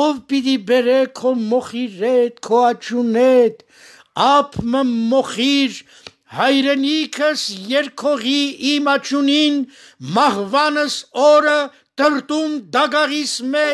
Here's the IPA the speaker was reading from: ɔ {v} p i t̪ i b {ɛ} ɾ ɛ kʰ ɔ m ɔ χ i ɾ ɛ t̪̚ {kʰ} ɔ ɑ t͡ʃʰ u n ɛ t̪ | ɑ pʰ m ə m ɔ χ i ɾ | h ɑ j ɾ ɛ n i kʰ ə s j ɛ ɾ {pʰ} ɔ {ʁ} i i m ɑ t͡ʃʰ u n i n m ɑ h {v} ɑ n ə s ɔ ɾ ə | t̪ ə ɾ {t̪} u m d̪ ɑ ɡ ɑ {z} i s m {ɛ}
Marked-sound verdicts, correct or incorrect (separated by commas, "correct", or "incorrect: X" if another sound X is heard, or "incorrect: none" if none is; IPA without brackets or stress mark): correct, correct, correct, incorrect: kʰ, correct, correct, correct, incorrect: ʁ, correct